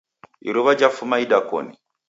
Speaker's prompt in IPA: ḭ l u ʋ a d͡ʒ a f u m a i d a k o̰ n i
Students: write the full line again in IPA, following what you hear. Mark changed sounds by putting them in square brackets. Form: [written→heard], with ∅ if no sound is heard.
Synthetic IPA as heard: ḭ [l→ɾ] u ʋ a d͡ʒ a f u m a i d a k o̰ n i